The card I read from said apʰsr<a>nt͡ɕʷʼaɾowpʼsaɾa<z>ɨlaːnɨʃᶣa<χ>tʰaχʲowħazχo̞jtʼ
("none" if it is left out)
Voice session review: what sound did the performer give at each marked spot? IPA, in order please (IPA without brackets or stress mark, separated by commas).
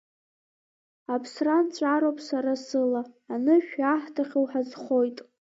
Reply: a, s, ħ